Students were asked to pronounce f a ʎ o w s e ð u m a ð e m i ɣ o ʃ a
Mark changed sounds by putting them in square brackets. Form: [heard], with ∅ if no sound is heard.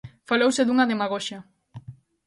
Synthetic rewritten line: f a [l] o w s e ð u [ŋ] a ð e m [a] ɣ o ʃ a